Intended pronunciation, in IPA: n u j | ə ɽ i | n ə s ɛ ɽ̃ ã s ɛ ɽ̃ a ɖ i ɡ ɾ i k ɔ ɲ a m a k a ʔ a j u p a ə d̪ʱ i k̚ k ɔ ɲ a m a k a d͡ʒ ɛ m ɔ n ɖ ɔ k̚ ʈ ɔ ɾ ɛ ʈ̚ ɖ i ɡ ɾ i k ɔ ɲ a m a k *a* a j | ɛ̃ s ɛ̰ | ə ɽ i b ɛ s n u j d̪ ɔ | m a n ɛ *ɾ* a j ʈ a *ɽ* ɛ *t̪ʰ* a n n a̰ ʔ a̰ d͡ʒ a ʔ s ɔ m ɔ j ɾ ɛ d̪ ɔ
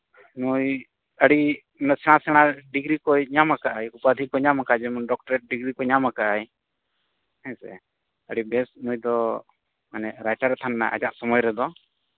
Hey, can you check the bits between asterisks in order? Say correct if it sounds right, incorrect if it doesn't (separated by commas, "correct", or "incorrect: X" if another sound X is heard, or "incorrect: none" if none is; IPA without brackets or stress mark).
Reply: correct, correct, incorrect: ɾ, correct